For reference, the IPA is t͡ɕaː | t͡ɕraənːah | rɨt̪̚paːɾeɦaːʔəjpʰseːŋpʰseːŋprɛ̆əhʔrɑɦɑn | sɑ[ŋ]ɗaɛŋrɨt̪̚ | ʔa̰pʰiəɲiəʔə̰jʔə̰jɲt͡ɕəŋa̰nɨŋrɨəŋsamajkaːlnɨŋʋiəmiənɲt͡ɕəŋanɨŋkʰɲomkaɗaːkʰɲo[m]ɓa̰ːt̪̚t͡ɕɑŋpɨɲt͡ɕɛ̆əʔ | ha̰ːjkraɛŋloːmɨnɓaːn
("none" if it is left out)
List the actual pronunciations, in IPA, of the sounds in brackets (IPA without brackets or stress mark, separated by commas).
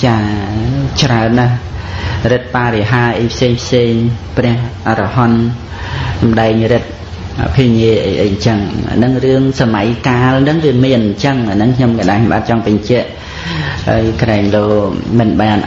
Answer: m, m